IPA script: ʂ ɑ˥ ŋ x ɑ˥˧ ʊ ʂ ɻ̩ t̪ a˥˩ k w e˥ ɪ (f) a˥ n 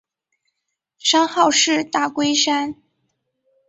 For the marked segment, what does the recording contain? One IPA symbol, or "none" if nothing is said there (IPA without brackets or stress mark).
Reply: ʂ